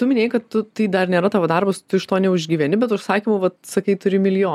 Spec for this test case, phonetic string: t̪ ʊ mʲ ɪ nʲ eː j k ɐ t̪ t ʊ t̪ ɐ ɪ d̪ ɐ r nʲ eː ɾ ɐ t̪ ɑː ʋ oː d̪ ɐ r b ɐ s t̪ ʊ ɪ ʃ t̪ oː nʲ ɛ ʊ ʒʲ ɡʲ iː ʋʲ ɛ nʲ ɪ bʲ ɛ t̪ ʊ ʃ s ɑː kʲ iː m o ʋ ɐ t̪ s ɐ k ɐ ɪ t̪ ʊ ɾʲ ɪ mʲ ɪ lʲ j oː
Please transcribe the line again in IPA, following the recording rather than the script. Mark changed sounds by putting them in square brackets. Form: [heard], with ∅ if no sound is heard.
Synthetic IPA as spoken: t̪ ʊ mʲ ɪ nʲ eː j k ɐ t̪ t ʊ t̪ ɐ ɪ d̪ ɐ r nʲ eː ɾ ɐ t̪ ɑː ʋ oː d̪ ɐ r b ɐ s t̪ ʊ ɪ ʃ t̪ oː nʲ ɛ ʊ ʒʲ ɡʲ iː ʋʲ ɛ nʲ ɪ bʲ ɛ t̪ ʊ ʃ s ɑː kʲ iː m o ʋ ɐ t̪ s ɐ k ɐ ɪ t̪ ʊ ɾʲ ɪ mʲ ɪ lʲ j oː